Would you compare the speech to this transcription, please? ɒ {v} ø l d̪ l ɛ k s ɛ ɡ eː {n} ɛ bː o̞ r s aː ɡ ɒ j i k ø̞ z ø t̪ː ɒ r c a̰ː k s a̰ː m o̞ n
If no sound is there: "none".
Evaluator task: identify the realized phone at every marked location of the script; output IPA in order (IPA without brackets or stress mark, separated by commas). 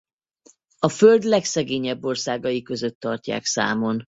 f, ɲ